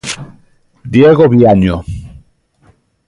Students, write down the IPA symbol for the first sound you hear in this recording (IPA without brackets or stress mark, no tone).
d̪